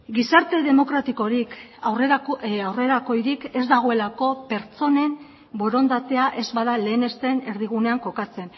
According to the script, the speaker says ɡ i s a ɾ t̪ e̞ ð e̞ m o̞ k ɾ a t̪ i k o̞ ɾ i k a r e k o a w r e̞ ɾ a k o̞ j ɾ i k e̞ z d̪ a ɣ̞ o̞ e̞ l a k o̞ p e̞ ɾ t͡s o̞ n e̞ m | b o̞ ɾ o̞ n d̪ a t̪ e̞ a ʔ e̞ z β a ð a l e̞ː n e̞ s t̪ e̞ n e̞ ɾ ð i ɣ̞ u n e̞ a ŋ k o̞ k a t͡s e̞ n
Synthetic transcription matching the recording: ɡ i s a ɾ t̪ e̞ ð e̞ m o̞ k ɾ a t̪ i k o̞ ɾ i k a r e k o a w r e̞ ɾ a k o̞ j ɾ i k e̞ z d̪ a ɣ̞ o̞ e̞ l a k o̞ p e̞ ɾ t͡s o̞ n e̞ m | b o̞ ɾ o̞ n d̪ a t̪ e̞ a ʔ e̞ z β a ð a l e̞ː n e̞ s t̪ e̞ n e̞ ɾ ð i ɣ̞ u n e̞ a ŋ k o̞ k a t͡s e̞ n

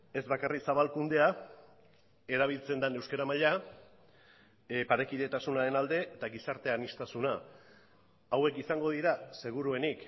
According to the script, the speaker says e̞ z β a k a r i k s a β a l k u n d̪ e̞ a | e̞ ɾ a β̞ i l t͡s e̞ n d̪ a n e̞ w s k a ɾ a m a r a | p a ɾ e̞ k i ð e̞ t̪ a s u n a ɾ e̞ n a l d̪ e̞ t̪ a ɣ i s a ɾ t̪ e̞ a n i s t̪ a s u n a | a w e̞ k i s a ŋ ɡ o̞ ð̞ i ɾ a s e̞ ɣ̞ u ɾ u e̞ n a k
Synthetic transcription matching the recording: e̞ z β a k a r i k s a β a l k u n d̪ e̞ a | e̞ ɾ a β̞ i l t͡s e̞ n d̪ a n e̞ w s k a ɾ a m a ʎ a | p a ɾ e̞ k i ð e̞ t̪ a s u n a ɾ e̞ n a l d̪ e̞ t̪ a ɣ i s a ɾ t̪ e̞ a n i s t̪ a s u n a | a w e̞ k i s a ŋ ɡ o̞ ð̞ i ɾ a s e̞ ɣ̞ u ɾ u e̞ n i k

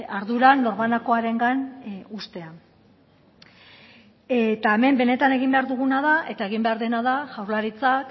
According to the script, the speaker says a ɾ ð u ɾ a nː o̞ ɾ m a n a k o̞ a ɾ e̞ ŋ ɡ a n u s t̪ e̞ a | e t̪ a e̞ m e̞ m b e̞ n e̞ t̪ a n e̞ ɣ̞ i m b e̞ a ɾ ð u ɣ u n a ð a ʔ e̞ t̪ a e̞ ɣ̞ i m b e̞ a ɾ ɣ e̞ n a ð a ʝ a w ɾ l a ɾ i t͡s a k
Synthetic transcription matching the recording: a ɾ ð u ɾ a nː o̞ ɾ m a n a k o̞ a ɾ e̞ ŋ ɡ a n u s t̪ e̞ a | e t̪ a e̞ m e̞ m b e̞ n e̞ t̪ a n e̞ ɣ̞ i m b e̞ a ɾ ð u ɣ u n a ð a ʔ e̞ t̪ a e̞ ɣ̞ i m b e̞ a ɾ ð e̞ n a ð a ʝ a w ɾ l a ɾ i t͡s a k

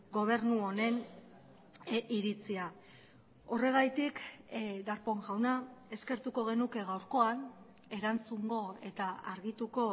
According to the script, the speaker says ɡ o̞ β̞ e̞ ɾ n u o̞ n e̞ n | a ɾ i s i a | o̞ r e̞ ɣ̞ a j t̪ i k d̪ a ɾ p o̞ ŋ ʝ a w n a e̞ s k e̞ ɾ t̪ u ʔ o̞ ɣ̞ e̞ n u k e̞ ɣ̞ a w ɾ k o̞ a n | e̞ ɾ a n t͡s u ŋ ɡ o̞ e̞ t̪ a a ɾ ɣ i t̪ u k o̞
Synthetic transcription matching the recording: ɡ o̞ β̞ e̞ ɾ n u o̞ n e̞ n | i ɾ i t͡s i a | o̞ r e̞ ɣ̞ a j t̪ i k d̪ a ɾ p o̞ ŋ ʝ a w n a e̞ s k e̞ ɾ t̪ u k o̞ ɣ̞ e̞ n u k e̞ ɣ̞ a w ɾ k o̞ a n | e̞ ɾ a n t͡s u ŋ ɡ o̞ e̞ t̪ a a ɾ ɣ i t̪ u k o̞

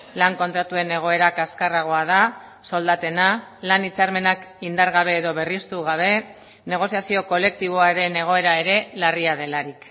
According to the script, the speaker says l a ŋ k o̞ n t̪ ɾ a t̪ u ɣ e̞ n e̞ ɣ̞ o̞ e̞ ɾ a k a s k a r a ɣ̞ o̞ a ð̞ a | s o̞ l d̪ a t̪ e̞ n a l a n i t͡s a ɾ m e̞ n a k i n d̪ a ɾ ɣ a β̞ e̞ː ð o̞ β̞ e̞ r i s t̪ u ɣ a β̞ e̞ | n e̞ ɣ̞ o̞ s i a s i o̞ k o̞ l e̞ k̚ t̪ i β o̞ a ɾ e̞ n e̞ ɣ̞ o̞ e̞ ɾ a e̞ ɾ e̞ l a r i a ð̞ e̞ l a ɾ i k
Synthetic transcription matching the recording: l a ŋ k o̞ n t̪ ɾ a t̪ u e̞ n e̞ ɣ̞ o̞ e̞ ɾ a k a s k a r a ɣ̞ o̞ a ð̞ a | s o̞ l d̪ a t̪ e̞ n a l a n i t͡s a ɾ m e̞ n a k i n d̪ a ɾ ɣ a β̞ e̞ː ð o̞ β̞ e̞ r i s t̪ u ɣ a β̞ e̞ | n e̞ ɣ̞ o̞ s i a s i o̞ k o̞ l e̞ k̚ t̪ i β o̞ a ɾ e̞ n e̞ ɣ̞ o̞ e̞ ɾ a e̞ ɾ e̞ l a r i a ð̞ e̞ l a ɾ i k

